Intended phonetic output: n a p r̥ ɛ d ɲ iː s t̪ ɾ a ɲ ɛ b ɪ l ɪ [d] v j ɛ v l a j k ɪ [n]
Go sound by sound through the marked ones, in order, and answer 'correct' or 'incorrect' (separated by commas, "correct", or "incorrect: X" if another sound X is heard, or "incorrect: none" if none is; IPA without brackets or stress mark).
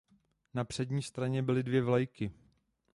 correct, incorrect: none